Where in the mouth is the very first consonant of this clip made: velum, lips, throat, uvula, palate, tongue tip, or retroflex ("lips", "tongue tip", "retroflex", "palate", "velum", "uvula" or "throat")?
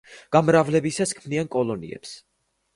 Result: velum